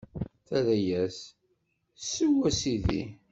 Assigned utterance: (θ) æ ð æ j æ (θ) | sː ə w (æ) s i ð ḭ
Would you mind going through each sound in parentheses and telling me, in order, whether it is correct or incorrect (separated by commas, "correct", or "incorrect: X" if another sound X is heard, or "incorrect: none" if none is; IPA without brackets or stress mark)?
correct, incorrect: s, correct